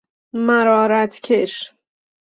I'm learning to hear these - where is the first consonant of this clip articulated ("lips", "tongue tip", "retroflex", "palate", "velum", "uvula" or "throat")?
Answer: lips